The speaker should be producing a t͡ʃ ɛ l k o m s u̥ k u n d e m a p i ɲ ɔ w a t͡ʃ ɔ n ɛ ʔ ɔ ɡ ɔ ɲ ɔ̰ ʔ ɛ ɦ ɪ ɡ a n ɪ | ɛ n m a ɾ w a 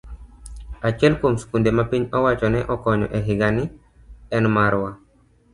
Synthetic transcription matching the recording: a t͡ʃ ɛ l k o m s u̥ k u n d e m a p i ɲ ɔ w a t͡ʃ ɔ n ɛ ʔ ɔ k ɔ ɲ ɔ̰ ʔ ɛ ɦ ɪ ɡ a n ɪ | ɛ n m a ɾ w a